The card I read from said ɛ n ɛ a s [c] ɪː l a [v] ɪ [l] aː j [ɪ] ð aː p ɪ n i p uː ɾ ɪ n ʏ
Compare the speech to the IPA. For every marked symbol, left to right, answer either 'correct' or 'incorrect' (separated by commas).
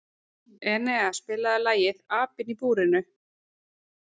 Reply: incorrect, incorrect, correct, correct